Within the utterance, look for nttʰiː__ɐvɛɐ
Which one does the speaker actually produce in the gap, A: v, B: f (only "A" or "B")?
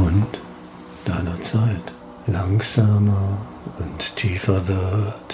B